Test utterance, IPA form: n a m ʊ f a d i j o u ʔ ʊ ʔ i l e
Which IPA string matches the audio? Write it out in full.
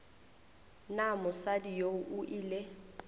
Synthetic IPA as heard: n a m ʊ s a d i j o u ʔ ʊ ʔ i l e